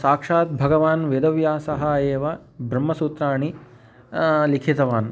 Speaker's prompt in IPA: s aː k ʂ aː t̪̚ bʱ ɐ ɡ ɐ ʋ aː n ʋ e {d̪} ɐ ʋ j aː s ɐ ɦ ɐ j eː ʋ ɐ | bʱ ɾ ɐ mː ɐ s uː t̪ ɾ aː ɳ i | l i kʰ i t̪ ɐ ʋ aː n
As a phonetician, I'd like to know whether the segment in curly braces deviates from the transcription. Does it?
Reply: no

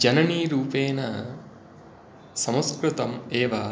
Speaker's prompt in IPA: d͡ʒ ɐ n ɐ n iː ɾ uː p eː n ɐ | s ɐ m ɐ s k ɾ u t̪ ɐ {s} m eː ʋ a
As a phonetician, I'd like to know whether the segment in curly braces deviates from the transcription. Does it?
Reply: yes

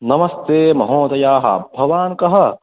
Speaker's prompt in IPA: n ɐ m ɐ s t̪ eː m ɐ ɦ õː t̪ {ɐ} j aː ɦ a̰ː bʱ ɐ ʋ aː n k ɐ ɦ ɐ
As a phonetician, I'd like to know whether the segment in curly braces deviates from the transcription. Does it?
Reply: no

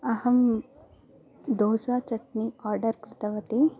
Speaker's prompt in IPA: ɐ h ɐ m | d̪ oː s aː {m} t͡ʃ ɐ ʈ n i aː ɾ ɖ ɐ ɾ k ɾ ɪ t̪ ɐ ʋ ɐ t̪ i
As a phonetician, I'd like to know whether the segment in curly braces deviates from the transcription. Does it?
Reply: yes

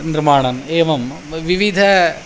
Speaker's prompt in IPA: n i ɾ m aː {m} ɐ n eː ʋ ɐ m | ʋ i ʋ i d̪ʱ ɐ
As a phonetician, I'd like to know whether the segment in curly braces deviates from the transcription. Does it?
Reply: yes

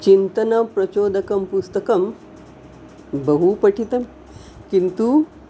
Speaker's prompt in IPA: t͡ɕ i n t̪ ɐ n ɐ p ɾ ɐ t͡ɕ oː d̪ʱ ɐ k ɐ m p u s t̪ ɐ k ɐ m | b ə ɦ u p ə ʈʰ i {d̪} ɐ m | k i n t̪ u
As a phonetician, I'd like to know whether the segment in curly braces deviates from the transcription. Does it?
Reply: yes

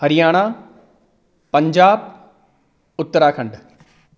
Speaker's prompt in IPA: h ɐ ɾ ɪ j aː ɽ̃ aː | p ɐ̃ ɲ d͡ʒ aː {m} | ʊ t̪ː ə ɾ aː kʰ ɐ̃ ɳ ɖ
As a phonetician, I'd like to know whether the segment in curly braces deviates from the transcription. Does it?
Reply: yes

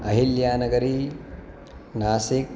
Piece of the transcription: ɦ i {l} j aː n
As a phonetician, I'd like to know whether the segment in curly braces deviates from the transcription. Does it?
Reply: no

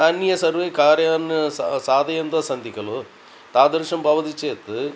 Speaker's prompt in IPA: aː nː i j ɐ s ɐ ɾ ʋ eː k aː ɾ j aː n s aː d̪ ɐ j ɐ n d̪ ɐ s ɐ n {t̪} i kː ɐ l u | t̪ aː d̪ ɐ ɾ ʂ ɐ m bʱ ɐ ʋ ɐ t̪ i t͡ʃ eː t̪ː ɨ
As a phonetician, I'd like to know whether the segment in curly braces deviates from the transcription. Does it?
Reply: yes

